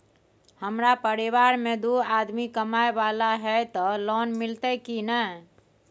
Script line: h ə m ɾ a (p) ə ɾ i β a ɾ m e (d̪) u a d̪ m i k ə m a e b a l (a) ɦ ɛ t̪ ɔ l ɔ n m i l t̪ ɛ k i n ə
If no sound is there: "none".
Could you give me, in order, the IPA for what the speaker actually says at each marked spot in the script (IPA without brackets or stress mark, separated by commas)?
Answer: p, d̪, a